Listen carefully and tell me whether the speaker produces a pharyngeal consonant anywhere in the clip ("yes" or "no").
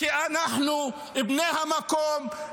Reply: yes